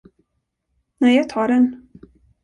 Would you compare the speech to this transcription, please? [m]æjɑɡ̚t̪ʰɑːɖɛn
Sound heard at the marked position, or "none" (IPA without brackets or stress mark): n